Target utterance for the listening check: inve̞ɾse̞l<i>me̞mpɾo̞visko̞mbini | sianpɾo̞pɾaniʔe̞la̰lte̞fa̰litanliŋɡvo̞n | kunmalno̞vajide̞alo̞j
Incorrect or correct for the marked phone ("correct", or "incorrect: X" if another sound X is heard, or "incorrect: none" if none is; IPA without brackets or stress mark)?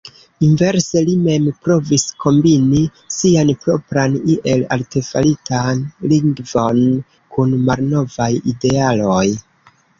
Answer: correct